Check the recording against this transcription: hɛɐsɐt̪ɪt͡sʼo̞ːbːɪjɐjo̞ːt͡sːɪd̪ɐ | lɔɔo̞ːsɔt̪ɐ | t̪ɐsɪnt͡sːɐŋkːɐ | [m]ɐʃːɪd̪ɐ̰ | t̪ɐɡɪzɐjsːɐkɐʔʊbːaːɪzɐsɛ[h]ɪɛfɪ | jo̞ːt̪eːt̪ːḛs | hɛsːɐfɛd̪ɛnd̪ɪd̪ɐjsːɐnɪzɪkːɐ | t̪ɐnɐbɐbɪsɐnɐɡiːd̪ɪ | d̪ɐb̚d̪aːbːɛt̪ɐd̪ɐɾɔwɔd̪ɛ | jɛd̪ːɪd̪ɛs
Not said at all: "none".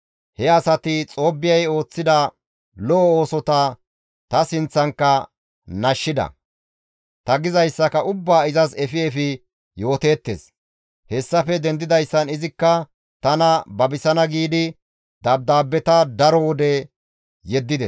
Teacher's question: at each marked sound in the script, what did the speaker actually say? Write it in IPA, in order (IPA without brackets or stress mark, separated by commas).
n, f